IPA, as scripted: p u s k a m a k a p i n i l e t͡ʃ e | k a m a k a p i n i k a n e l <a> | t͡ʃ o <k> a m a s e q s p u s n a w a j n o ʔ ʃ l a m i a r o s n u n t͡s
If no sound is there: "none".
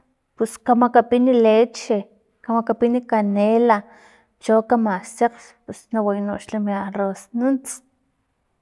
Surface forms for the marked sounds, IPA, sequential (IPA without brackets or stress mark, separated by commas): a, k